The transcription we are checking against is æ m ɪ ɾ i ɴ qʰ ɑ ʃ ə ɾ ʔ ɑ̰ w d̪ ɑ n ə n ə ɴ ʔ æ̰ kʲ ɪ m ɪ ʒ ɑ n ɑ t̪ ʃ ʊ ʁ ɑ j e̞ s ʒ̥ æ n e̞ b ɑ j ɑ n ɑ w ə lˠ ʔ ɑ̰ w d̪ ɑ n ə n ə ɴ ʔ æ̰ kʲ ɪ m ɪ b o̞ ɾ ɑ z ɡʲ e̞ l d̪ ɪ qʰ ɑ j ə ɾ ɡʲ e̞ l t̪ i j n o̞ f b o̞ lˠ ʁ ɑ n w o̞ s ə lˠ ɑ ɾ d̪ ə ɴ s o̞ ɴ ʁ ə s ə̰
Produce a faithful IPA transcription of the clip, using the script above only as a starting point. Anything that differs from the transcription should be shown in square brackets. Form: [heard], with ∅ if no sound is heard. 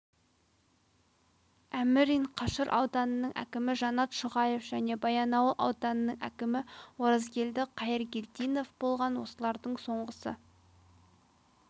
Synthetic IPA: æ m ɪ ɾ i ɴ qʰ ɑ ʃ ə ɾ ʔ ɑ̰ w d̪ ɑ n ə n ə ɴ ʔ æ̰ kʲ ɪ m ɪ ʒ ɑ n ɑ t̪ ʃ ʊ ʁ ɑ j e̞ [f] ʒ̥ æ n e̞ b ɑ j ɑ n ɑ w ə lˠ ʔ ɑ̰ w d̪ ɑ n ə n ə ɴ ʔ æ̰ kʲ ɪ m ɪ [w] o̞ ɾ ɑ z ɡʲ e̞ l d̪ ɪ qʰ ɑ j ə ɾ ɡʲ e̞ l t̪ i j n o̞ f b o̞ lˠ ʁ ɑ n w o̞ s ə lˠ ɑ ɾ d̪ ə ɴ s o̞ ɴ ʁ ə s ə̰